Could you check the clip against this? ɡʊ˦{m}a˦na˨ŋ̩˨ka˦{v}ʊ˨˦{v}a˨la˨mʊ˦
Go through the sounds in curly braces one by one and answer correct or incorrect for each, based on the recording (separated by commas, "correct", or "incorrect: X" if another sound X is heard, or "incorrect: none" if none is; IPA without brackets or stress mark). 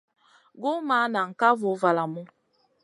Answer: correct, correct, correct